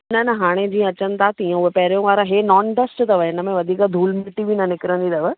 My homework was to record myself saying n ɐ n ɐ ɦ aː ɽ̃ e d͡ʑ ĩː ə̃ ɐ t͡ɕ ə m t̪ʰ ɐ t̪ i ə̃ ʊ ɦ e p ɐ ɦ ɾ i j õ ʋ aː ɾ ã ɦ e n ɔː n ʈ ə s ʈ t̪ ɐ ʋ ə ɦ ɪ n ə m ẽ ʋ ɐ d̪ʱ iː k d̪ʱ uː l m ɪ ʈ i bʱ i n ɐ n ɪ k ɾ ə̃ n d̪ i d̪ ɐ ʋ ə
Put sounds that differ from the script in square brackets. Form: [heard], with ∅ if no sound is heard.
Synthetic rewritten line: n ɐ n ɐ ɦ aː ɽ̃ e d͡ʑ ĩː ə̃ ɐ t͡ɕ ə [n] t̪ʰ [a] t̪ i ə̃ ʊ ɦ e p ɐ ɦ ɾ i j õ ʋ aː ɾ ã ɦ e n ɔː n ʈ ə s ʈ t̪ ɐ ʋ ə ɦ ɪ n ə m ẽ ʋ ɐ d̪ʱ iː k d̪ʱ uː l m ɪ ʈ i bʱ i n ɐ n ɪ k ɾ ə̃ n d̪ i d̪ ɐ ʋ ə